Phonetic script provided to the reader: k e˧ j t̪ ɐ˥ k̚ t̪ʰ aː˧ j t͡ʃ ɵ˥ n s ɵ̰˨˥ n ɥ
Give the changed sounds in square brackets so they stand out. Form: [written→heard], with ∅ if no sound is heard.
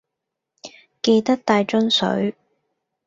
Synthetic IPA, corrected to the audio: k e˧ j t̪ ɐ˥ k̚ [t̪ʰ→t̪] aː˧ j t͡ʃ ɵ˥ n s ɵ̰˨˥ [n→∅] ɥ

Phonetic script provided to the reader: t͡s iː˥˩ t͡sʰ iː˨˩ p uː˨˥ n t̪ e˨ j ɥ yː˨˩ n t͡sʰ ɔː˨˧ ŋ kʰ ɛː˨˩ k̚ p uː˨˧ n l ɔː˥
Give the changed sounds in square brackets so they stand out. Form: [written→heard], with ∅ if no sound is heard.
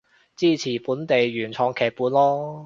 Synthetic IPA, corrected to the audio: t͡s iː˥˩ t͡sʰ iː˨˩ p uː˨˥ n t̪ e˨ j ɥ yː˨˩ n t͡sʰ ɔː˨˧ ŋ kʰ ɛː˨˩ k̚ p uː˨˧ n l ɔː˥

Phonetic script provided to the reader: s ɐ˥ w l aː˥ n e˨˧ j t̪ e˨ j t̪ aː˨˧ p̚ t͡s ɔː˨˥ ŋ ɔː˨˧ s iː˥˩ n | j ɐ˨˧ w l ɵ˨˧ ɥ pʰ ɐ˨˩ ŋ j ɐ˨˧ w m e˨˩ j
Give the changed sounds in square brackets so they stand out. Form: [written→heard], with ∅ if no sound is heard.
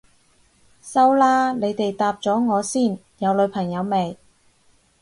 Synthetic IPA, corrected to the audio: s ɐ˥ w l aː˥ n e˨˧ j t̪ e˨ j t̪ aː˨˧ p̚ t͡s ɔː˨˥ ŋ ɔː˨˧ s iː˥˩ n | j ɐ˨˧ w l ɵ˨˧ ɥ pʰ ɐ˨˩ ŋ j ɐ˨˧ w m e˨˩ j

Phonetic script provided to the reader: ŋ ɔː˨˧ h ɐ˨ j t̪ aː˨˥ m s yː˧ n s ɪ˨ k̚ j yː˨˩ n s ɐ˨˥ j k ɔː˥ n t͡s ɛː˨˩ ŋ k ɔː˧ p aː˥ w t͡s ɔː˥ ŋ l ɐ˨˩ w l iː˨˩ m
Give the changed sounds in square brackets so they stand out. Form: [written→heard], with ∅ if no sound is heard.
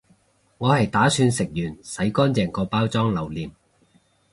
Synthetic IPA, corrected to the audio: ŋ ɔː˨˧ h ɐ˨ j t̪ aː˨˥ [m→∅] s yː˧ n s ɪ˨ k̚ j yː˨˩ n s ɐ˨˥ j k ɔː˥ n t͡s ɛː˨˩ ŋ k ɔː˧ p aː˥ w t͡s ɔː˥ ŋ l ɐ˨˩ w l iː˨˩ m

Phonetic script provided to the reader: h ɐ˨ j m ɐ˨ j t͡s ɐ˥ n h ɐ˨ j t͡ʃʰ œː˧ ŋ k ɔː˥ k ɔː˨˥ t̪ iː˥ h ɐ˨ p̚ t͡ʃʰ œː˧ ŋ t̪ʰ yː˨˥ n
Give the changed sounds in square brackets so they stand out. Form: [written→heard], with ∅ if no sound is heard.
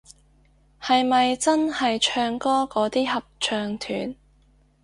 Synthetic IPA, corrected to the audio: h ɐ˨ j m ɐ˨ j t͡s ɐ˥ n h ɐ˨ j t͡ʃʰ œː˧ ŋ k ɔː˥ k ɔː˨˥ t̪ iː˥ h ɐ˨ p̚ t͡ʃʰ œː˧ ŋ t̪ʰ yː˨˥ n

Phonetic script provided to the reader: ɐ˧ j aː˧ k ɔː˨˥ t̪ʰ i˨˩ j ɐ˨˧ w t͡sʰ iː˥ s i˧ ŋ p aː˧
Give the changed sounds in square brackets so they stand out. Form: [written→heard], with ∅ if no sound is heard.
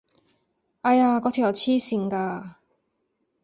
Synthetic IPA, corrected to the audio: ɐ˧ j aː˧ k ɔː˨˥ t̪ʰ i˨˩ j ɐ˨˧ w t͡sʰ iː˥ s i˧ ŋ [p→k] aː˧

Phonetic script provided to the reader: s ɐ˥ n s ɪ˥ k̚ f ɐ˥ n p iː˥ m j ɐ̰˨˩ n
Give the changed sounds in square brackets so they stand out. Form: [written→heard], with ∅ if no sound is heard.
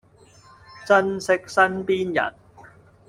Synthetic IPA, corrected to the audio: [s→t͡s] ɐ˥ n s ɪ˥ k̚ [f→s] ɐ˥ n p iː˥ [m→n] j ɐ̰˨˩ n

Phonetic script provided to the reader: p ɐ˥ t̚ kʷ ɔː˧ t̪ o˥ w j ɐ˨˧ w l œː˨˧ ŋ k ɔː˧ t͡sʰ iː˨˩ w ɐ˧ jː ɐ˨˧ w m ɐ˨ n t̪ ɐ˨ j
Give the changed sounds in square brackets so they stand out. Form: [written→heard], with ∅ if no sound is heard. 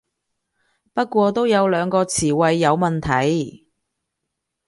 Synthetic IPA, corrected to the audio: p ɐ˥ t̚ kʷ ɔː˧ t̪ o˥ w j ɐ˨˧ w l œː˨˧ ŋ k ɔː˧ t͡sʰ iː˨˩ w ɐ˧ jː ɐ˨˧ w m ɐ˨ n [t̪→t̪ʰ] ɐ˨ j

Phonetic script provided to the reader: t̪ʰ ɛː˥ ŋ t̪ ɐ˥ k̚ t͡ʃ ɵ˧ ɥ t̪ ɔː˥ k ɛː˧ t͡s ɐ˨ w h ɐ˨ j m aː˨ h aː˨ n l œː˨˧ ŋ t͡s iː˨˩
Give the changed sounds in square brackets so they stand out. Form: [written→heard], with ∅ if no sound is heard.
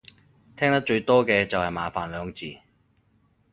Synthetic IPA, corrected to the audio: t̪ʰ ɛː˥ ŋ t̪ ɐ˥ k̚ t͡ʃ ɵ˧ ɥ t̪ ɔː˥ k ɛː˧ t͡s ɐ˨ w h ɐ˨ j m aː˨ [h→f] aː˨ n l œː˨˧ ŋ t͡s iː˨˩

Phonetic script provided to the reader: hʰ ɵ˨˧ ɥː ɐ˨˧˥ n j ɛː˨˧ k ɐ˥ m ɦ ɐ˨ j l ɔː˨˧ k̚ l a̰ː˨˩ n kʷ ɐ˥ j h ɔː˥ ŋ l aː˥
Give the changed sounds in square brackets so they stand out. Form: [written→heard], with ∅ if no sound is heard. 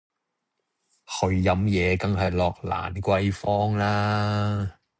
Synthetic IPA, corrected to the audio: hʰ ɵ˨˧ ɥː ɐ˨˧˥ [n→m] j ɛː˨˧ k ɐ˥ [m→ŋ] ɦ ɐ˨ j l ɔː˨˧ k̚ l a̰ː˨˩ n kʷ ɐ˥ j [h→f] ɔː˥ ŋ l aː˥

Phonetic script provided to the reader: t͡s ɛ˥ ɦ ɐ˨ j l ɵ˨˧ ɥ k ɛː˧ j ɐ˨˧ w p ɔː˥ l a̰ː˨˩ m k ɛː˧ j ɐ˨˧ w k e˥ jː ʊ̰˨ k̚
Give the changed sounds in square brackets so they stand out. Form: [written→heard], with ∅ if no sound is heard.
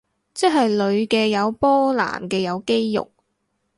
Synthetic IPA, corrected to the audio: t͡s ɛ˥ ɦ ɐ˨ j l ɵ˨˧ ɥ k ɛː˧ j ɐ˨˧ w p ɔː˥ l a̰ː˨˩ m k ɛː˧ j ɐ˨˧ w k e˥ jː ʊ̰˨ k̚

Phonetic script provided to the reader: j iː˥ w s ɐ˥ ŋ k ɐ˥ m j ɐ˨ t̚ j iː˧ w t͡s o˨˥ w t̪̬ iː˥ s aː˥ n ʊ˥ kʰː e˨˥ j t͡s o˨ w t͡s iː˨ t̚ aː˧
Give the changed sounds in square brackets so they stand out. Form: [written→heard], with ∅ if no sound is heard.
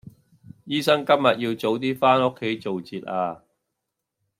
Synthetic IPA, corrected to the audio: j iː˥ [w→∅] s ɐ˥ ŋ k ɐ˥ m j ɐ˨ t̚ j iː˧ w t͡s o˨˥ w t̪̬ iː˥ [s→f] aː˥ n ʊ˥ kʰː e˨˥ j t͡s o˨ w t͡s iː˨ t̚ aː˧

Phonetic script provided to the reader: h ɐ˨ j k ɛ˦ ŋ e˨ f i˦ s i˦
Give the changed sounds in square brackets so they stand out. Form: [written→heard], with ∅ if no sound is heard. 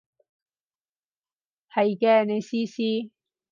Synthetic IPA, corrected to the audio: h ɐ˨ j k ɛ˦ [ŋ→n] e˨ [f→s] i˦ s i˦

